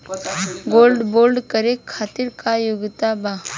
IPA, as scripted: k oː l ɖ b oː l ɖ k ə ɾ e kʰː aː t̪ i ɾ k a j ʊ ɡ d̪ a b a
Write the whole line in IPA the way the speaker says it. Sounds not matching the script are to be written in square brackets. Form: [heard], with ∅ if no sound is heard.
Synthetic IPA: [ɡ] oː l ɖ b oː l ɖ k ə ɾ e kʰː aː t̪ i ɾ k a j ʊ ɡ [t̪] a b a